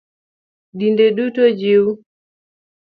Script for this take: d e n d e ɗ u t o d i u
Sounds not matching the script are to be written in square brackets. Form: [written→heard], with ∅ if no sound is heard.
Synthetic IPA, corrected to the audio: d [e→i] n d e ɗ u t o [d→d͡ʒ] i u